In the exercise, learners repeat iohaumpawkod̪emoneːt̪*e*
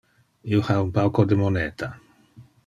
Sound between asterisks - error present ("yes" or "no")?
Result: yes